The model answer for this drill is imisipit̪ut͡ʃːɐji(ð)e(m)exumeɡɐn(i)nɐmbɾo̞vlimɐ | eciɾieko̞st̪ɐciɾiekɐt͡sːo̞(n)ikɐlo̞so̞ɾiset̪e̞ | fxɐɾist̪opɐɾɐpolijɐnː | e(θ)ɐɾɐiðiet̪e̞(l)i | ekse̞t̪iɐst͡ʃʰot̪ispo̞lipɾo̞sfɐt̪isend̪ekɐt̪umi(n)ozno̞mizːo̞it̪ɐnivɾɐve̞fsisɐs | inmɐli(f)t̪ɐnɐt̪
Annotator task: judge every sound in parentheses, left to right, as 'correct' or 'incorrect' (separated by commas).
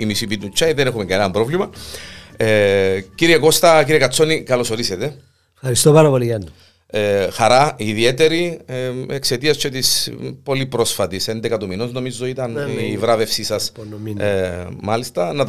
correct, incorrect, incorrect, correct, incorrect, incorrect, correct, incorrect